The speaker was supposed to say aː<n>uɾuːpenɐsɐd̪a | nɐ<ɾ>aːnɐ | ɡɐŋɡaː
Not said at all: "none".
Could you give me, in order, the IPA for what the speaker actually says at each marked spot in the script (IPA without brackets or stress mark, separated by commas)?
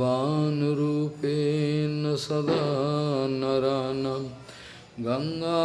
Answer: n, ɾ